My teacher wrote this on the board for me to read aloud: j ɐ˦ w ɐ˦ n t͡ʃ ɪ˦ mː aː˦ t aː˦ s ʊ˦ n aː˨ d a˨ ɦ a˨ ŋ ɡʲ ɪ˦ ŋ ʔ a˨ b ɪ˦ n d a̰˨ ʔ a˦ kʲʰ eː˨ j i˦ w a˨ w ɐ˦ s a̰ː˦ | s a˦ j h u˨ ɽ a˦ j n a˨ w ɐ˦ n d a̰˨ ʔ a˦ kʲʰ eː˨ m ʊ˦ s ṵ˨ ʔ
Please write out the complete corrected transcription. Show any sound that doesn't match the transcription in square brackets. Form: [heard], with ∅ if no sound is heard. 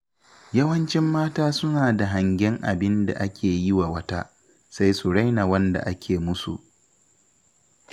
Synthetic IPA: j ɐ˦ w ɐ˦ n t͡ʃ ɪ˦ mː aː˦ t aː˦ s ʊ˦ n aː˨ d a˨ ɦ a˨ ŋ ɡʲ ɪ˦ ŋ ʔ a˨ b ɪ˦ n d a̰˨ ʔ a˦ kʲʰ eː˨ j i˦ w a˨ w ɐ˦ [t] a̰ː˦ | s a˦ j [s] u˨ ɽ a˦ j n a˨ w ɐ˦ n d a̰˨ ʔ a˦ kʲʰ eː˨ m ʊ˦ s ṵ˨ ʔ